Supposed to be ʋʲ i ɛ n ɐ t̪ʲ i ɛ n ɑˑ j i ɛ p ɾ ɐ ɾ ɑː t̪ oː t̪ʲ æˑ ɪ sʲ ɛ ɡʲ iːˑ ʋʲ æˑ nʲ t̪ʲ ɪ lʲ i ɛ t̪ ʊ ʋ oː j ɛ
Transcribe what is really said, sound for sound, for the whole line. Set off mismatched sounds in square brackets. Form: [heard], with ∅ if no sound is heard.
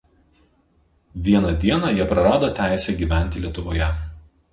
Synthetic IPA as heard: ʋʲ i ɛ n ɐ [d̪ʲ] i ɛ n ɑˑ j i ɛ p ɾ ɐ ɾ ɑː [d̪] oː t̪ʲ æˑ ɪ sʲ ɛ ɡʲ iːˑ ʋʲ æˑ nʲ t̪ʲ ɪ lʲ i ɛ t̪ ʊ ʋ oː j ɛ